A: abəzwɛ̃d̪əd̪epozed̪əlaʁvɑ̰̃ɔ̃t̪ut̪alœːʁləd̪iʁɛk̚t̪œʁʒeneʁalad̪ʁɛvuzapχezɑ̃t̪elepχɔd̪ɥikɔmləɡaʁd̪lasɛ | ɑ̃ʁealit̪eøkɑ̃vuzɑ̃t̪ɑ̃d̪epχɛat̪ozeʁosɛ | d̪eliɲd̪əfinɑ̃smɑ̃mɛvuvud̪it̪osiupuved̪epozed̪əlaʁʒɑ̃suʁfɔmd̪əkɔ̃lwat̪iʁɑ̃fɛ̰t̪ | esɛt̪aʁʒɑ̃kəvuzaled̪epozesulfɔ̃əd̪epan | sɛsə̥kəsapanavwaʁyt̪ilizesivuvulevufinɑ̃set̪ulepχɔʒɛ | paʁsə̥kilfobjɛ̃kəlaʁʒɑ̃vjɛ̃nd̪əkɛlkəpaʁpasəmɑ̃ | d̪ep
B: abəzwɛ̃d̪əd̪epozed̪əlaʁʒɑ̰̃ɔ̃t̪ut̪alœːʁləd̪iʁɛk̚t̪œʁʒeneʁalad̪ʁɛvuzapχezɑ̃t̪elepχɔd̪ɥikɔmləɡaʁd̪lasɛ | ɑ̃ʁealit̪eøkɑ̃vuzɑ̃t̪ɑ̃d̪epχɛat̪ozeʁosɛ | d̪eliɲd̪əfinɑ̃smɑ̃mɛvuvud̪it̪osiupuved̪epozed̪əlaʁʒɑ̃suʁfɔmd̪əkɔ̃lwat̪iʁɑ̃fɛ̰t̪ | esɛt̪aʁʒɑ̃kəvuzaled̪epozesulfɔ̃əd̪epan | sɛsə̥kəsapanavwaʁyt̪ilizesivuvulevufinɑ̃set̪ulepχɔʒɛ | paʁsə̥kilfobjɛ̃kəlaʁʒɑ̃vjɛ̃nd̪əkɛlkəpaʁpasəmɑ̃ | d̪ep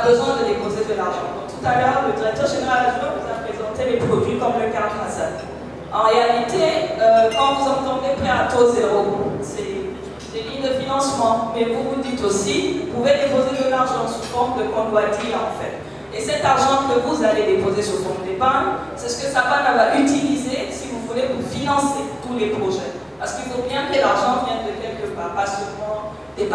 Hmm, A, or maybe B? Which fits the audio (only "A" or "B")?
B